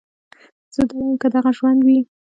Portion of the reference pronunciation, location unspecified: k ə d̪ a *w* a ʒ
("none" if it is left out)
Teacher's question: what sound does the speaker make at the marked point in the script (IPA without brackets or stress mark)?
ɣ